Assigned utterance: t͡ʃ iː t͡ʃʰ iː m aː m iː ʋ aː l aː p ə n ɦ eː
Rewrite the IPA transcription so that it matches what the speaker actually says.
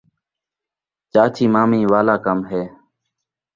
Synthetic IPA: t͡ʃ aː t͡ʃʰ iː m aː m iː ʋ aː l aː k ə m ɦ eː